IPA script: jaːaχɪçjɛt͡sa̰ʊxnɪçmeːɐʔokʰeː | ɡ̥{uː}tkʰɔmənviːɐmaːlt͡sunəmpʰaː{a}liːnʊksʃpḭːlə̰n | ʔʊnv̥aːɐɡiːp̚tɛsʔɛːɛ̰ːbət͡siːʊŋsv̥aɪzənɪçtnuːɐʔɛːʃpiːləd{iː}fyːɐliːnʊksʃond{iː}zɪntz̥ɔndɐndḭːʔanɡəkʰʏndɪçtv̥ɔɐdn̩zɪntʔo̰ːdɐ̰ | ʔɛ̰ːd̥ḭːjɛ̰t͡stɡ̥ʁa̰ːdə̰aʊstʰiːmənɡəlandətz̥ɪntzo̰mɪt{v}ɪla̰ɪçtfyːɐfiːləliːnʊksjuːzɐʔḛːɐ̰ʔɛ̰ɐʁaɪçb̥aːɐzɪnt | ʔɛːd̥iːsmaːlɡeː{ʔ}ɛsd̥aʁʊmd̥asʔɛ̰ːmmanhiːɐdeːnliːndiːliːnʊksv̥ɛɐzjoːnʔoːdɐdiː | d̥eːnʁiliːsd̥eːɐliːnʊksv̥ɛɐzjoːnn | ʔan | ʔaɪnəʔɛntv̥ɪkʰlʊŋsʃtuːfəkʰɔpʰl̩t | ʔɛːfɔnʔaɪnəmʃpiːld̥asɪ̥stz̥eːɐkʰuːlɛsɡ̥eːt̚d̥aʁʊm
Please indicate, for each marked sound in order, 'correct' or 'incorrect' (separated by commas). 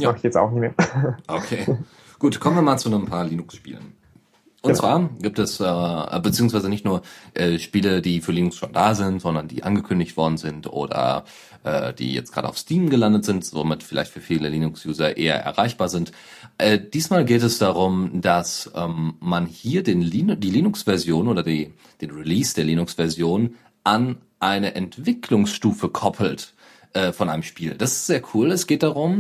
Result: correct, incorrect, correct, incorrect, incorrect, incorrect